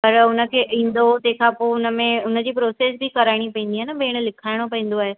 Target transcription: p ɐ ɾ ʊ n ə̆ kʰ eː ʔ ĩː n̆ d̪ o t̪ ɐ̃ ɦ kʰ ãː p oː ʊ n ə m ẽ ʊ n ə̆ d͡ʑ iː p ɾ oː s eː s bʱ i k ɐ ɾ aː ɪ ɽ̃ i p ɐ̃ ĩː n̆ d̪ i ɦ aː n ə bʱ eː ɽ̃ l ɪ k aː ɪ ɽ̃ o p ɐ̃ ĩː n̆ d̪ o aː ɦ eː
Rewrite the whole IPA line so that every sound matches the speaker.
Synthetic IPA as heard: p ɐ ɾ ʊ n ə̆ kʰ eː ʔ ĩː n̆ d̪ o t̪ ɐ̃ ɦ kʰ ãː p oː ʊ n ə m ẽ ʊ n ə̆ d͡ʑ iː p ɾ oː s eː s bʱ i k ɐ ɾ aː ɪ ɽ̃ i p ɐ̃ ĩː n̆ d̪ i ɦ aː n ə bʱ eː ɽ̃ l ɪ kʰ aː ɪ ɽ̃ o p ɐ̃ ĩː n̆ d̪ o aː ɦ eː